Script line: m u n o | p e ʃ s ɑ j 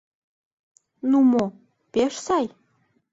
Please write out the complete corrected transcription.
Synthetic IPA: n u m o | p e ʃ s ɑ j